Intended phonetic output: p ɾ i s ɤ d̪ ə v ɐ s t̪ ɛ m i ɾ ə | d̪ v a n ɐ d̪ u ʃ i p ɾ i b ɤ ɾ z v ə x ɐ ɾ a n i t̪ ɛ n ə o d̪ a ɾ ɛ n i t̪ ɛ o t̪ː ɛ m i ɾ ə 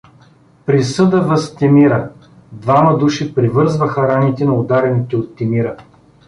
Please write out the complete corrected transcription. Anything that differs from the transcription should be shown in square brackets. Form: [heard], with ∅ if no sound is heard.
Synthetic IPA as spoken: p ɾ i s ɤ d̪ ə v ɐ s t̪ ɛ m i ɾ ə | d̪ v a [m] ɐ d̪ u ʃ i p ɾ i [v] ɤ ɾ z v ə x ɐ ɾ a n i t̪ ɛ n [ɐ] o d̪ a ɾ ɛ n i t̪ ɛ o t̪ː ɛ m i ɾ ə

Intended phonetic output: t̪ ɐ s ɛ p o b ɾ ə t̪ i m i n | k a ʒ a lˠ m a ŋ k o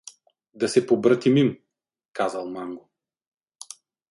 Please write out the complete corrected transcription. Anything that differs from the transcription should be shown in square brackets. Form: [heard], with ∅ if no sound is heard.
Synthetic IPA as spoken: [d̪] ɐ s ɛ p o b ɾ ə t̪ i m i [m] | k a [z] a lˠ m a ŋ [ɡ] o

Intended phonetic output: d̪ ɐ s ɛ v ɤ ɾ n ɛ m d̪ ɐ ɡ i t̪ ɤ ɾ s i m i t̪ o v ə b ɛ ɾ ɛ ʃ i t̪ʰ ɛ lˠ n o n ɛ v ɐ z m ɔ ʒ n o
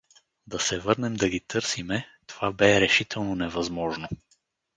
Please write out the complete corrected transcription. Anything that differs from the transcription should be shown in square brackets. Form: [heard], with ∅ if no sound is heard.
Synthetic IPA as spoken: d̪ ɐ s ɛ v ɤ ɾ n ɛ m d̪ ɐ ɡ i t̪ ɤ ɾ s i m [ɛ] t̪ o v [a] b ɛ ɾ ɛ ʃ i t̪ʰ ɛ lˠ n o n ɛ v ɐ z m ɔ ʒ n o

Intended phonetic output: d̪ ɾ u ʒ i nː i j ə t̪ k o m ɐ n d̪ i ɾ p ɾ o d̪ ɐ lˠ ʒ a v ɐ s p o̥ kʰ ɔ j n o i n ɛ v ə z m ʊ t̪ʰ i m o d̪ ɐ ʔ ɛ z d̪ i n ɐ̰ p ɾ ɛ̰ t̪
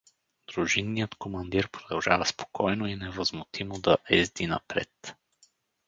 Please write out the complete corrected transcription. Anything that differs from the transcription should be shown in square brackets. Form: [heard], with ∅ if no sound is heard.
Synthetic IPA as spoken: d̪ ɾ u ʒ i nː i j ə t̪ k o m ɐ n d̪ i ɾ p ɾ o d̪ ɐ lˠ ʒ a v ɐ s p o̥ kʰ ɔ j n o i n ɛ v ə z m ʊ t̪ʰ i m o d̪ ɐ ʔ ɛ z d̪ i n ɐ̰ p ɾ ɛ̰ t̪

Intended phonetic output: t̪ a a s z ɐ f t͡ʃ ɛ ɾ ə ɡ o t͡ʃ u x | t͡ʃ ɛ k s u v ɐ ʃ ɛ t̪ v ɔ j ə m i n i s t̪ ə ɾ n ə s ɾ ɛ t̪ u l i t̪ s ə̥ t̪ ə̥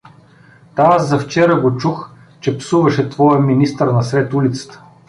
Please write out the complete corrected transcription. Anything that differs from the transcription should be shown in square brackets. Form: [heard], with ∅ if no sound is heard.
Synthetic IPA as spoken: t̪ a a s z ɐ f t͡ʃ ɛ ɾ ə ɡ o t͡ʃ u x | t͡ʃ ɛ [p] s u v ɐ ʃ ɛ t̪ v ɔ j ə m i n i s t̪ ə ɾ n [ɐ] s ɾ ɛ t̪ u l i t̪ s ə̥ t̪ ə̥

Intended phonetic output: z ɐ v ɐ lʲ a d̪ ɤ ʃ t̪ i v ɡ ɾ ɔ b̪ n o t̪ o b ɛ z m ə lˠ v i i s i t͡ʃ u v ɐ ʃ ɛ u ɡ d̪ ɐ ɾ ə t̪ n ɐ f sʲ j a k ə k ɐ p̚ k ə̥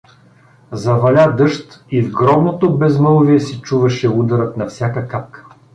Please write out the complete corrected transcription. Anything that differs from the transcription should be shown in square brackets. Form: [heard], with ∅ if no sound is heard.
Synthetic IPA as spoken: z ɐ v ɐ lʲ a d̪ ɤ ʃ t̪ i v ɡ ɾ ɔ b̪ n o t̪ o b ɛ z m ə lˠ v i [ɛ] s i t͡ʃ u v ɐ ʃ ɛ u [∅] d̪ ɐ ɾ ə t̪ n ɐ f sʲ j a k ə k [a] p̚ k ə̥

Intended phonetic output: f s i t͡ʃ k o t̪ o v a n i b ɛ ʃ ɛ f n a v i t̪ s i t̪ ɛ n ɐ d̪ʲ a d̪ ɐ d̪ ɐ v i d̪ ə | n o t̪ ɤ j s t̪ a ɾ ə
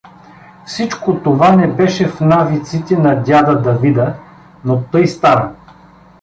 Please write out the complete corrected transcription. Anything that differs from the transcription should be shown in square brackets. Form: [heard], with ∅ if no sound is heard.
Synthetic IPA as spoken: f s i t͡ʃ k o t̪ o v a n [ɛ] b ɛ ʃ ɛ f n a v i t̪ s i t̪ ɛ n ɐ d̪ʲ a d̪ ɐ d̪ ɐ v i d̪ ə | n o t̪ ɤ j s t̪ a ɾ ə

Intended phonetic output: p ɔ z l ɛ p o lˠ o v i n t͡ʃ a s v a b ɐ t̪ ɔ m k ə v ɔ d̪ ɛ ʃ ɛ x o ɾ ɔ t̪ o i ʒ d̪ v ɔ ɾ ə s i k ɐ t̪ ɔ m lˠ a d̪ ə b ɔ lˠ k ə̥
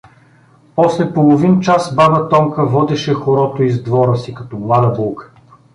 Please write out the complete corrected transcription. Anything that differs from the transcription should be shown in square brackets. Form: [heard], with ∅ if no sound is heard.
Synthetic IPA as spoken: p ɔ [s] l ɛ p o lˠ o v i n t͡ʃ a s [b] a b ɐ t̪ ɔ m k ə v ɔ d̪ ɛ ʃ ɛ x o ɾ ɔ t̪ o i [z] d̪ v ɔ ɾ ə s i k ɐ t̪ ɔ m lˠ a d̪ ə b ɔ lˠ k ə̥

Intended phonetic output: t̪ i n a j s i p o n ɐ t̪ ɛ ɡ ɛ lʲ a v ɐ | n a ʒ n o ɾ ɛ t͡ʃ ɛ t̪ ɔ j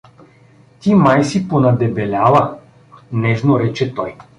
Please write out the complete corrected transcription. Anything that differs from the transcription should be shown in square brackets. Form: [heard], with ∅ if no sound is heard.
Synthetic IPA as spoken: t̪ i [m] a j s i p o n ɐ [d̪] ɛ [b] ɛ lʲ a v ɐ | n [ɛ] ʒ n o ɾ ɛ t͡ʃ ɛ t̪ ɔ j

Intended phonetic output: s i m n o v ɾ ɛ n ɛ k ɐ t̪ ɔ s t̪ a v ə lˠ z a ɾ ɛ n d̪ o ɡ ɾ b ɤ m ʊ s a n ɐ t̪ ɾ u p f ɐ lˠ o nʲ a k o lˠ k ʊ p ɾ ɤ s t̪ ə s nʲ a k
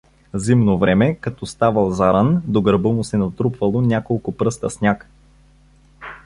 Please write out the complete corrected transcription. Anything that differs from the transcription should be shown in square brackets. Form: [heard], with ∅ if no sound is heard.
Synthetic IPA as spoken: [z] i m n o v ɾ ɛ [m] ɛ k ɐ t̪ ɔ s t̪ a v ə lˠ z a ɾ [a] n d̪ o ɡ ɾ b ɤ m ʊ s [ɛ] n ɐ t̪ ɾ u p [v] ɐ lˠ o nʲ a k o lˠ k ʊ p ɾ ɤ s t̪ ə s nʲ a k

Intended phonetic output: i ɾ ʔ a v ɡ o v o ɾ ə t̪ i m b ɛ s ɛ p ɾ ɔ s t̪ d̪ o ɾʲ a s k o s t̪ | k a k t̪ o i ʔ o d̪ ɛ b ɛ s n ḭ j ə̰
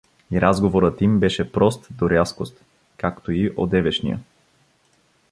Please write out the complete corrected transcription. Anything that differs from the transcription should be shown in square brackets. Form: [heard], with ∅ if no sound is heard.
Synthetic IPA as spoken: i ɾ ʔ a [z] ɡ o v o ɾ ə t̪ i m b ɛ [ʃ] ɛ p ɾ ɔ s t̪ d̪ o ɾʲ a s k o s t̪ | k a k t̪ o i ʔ o d̪ ɛ [v] ɛ [ʃ] n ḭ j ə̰

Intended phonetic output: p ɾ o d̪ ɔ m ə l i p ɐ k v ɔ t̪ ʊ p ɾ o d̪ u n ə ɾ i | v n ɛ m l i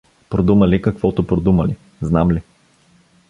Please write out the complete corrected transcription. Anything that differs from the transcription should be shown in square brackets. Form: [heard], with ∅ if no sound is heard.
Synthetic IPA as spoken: p ɾ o d̪ [u] m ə l i [k] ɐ k v ɔ t̪ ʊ p ɾ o d̪ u [m] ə [l] i | [z] n [a] m l i

